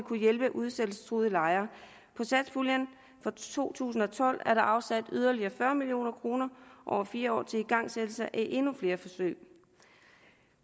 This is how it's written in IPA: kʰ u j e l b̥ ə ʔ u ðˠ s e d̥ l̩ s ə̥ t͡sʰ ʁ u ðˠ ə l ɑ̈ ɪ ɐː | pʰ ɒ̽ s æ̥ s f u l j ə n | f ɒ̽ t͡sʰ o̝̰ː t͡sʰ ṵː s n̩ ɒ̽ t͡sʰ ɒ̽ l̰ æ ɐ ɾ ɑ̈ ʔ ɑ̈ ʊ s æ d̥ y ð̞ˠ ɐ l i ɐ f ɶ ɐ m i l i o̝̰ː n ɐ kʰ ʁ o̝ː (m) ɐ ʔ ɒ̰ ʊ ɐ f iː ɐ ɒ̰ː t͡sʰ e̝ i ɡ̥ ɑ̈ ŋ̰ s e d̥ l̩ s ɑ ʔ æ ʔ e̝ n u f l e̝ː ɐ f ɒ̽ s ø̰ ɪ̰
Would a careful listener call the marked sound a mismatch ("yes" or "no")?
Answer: yes